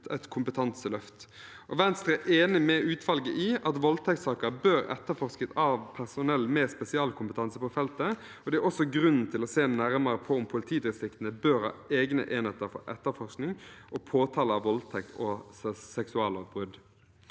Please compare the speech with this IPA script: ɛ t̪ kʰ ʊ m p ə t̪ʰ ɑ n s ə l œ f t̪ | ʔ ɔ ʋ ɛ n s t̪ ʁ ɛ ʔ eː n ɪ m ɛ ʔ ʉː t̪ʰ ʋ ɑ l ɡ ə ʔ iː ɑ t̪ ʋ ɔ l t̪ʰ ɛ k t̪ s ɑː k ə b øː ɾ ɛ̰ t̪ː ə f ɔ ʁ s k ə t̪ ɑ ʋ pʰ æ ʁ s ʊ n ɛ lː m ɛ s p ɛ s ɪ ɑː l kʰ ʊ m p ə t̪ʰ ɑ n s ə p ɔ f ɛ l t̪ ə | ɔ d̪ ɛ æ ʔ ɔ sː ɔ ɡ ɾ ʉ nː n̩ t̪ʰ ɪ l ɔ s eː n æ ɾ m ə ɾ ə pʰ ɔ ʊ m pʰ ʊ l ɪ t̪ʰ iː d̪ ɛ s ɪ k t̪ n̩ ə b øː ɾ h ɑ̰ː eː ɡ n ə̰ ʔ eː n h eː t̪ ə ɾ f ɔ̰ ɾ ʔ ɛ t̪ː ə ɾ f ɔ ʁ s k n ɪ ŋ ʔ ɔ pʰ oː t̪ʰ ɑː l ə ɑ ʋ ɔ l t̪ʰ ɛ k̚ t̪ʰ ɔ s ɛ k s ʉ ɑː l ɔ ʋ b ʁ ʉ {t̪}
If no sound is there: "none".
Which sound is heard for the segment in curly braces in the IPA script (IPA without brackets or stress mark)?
d̪